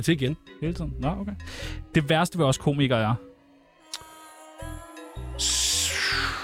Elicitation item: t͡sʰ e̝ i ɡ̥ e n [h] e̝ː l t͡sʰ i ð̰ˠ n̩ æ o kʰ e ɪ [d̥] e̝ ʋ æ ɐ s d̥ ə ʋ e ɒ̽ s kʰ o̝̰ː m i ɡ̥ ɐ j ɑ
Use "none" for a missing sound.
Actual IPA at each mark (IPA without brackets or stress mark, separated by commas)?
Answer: h, d̥